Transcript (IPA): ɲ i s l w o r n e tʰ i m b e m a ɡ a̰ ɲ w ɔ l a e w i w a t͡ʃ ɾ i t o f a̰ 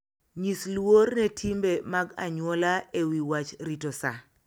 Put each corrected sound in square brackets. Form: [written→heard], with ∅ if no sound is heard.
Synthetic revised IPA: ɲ i s l w o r n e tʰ i m b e m a ɡ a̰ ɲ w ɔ l a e w i w a t͡ʃ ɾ i t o [f→s] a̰